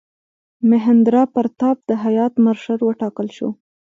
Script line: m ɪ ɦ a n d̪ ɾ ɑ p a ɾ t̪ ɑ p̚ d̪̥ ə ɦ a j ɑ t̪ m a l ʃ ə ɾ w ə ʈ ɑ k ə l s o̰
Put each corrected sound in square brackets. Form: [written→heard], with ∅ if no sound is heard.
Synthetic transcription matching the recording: m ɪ ɦ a n d̪ ɾ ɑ p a ɾ t̪ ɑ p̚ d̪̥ ə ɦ a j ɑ t̪ m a [l→ɾ] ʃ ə ɾ w ə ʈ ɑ k ə l [s→ʃ] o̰